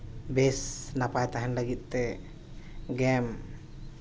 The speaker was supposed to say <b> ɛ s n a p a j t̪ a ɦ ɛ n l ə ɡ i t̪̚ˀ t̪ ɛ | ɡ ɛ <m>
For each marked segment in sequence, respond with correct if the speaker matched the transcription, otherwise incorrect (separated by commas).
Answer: correct, correct